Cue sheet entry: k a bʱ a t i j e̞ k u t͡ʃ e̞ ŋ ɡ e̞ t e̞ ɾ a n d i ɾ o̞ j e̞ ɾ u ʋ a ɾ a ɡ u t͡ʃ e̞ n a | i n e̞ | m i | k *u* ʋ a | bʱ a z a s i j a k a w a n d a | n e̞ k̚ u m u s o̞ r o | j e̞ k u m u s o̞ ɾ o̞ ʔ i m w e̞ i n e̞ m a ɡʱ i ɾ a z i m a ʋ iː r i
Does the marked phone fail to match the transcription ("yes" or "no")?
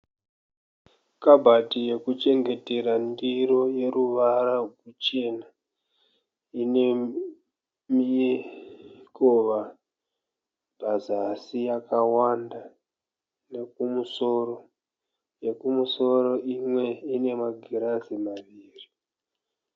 yes